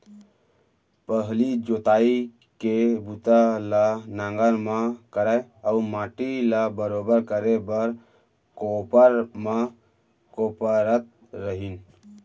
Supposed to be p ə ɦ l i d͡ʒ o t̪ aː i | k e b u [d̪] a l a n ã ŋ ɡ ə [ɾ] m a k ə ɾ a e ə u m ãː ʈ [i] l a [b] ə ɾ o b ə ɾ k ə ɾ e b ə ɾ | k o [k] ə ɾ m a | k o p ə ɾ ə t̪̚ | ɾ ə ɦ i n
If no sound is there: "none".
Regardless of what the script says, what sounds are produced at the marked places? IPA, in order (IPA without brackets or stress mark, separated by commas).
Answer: t̪, ɾ, i, b, p